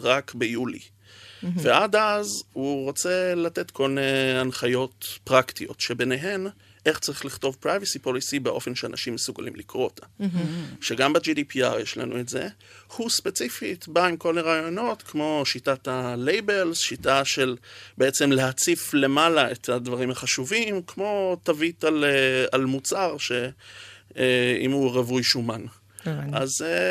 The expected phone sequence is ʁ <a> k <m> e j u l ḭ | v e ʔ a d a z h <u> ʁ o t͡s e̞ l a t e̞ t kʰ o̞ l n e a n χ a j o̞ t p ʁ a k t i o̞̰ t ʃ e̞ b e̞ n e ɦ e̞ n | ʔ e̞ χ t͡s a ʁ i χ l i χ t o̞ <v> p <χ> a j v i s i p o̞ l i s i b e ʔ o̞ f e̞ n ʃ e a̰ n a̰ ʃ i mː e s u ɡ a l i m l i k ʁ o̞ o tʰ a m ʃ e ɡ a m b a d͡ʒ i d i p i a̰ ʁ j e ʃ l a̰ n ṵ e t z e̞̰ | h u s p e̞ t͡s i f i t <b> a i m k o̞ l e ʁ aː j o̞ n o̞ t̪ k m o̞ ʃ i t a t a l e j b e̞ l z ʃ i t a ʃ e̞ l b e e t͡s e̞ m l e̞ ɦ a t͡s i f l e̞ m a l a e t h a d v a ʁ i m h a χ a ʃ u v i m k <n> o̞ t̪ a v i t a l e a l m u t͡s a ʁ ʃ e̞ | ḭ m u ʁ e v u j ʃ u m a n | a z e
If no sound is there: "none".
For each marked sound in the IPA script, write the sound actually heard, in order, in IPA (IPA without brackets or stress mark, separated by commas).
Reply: a, b, u, v, ʁ, b, m